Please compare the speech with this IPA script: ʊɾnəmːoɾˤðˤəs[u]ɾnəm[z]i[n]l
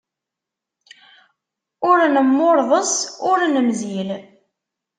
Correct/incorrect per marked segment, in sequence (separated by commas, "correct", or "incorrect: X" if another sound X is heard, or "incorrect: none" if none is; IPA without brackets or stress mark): incorrect: ʊ, correct, incorrect: none